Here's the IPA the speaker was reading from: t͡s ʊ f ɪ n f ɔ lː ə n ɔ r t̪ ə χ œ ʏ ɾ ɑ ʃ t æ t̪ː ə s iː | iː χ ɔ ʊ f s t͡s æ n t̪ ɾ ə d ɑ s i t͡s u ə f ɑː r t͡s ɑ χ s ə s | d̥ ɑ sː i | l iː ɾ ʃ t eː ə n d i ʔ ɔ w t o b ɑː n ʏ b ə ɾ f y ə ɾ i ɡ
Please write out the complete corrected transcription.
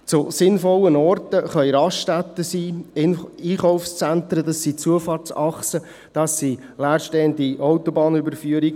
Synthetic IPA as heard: t͡s ʊ s ɪ n f ɔ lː ə n ɔ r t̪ ə χ œ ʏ ɾ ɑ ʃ t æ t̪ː ə s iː | iː χ ɔ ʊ f s t͡s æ n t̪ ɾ ə d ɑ s i t͡s u ə f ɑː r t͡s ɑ χ s ə | d̥ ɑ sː i | l æː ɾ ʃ t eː ə n d i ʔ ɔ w t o b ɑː n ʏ b ə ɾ f y ə ɾ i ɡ